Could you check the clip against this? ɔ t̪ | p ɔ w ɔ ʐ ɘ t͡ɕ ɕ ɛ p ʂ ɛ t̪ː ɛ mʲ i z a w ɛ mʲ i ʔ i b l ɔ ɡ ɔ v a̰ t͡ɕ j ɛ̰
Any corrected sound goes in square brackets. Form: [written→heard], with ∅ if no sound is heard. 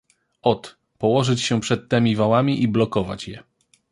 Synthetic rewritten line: ɔ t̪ | p ɔ w ɔ ʐ ɘ t͡ɕ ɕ ɛ p ʂ ɛ t̪ː ɛ mʲ i [z→v] a w [ɛ→a] mʲ i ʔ i b l ɔ [ɡ→k] ɔ v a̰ t͡ɕ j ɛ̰